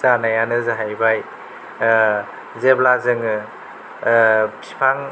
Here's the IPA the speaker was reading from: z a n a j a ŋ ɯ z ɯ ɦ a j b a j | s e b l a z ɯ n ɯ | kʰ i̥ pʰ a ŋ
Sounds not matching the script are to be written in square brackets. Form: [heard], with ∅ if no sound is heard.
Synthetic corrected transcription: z a n a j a [n] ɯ z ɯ ɦ a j b a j | [z] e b l a z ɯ [ŋ] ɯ | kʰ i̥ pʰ a ŋ

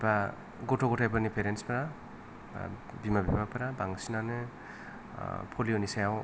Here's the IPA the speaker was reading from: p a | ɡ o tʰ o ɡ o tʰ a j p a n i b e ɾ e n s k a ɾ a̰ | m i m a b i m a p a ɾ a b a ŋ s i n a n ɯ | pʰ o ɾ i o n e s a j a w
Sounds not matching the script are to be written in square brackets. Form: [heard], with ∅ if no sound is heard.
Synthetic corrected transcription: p a | ɡ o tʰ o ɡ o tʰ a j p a n i [p] e ɾ e n s [p] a ɾ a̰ | [b] i m a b i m a p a ɾ a b a ŋ s i n a n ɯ | pʰ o [l] i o n [i] s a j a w

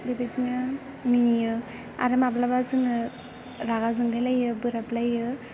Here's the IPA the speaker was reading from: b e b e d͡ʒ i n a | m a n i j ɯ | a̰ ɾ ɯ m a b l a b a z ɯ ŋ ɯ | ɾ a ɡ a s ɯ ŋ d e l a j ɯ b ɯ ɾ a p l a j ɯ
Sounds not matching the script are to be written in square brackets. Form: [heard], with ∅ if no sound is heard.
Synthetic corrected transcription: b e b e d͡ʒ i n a | m [i] n i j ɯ | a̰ ɾ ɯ m a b l a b a z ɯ ŋ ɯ | ɾ a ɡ a [z] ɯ ŋ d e l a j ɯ b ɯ ɾ a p l a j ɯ

